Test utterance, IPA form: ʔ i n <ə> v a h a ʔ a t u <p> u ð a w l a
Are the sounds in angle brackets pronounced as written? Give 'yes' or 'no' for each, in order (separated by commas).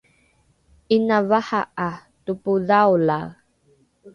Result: no, yes